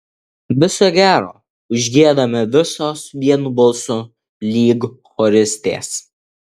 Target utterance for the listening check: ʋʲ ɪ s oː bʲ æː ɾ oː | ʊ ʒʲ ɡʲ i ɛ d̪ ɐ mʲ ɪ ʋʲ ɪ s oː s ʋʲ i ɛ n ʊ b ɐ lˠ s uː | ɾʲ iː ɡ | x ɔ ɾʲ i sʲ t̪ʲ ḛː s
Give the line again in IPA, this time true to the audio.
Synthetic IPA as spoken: ʋʲ ɪ s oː ɡʲ æː ɾ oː | ʊ ʒʲ ɡʲ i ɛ d̪ ɐ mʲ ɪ ʋʲ ɪ s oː s ʋʲ i ɛ n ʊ b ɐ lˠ s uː | lʲ iː ɡ | x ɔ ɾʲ ɪ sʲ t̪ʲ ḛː s